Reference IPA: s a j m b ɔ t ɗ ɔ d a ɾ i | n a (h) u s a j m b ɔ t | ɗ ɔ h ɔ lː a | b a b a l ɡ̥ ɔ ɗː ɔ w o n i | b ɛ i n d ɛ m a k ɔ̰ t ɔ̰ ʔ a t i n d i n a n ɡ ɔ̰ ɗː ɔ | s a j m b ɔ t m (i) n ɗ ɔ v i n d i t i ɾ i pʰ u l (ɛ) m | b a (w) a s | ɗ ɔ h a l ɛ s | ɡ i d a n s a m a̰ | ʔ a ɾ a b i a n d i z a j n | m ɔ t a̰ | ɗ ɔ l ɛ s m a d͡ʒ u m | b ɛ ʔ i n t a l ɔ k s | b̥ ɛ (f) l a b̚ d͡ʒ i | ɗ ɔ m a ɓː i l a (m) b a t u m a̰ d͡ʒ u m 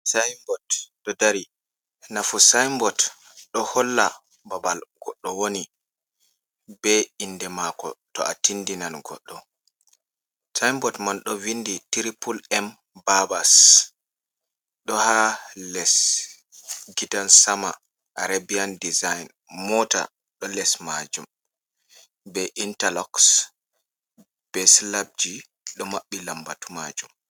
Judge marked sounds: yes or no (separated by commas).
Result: no, no, yes, no, no, yes